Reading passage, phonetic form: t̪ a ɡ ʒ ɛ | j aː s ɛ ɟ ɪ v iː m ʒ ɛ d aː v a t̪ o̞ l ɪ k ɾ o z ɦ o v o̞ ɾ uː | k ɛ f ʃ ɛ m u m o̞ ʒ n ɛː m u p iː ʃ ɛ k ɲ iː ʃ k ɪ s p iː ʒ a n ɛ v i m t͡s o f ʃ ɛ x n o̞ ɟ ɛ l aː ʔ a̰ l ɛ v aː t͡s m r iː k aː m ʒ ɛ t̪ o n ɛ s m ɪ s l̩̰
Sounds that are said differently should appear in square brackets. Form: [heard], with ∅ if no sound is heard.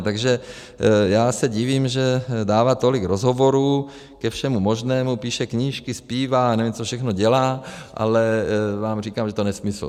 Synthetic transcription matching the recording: t̪ a ɡ ʒ ɛ | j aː s ɛ ɟ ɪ v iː m ʒ ɛ d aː v a t̪ o̞ l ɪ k ɾ o z ɦ o v o̞ ɾ uː | k ɛ f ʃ ɛ m u m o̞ ʒ n ɛː m u p iː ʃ ɛ k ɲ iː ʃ k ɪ s p iː [v] a n ɛ v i m t͡s o f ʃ ɛ x n o̞ ɟ ɛ l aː ʔ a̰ l ɛ v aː [∅] m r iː k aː m ʒ ɛ t̪ o n ɛ s m ɪ s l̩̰